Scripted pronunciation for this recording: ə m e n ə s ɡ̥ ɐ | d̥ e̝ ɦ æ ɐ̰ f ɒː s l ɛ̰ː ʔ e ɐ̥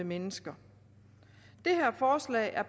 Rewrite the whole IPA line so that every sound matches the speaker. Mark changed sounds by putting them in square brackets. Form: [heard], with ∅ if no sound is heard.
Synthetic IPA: ə m e n ə s ɡ̥ ɐ | d̥ e̝ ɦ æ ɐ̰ f ɒː s l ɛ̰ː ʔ [æ] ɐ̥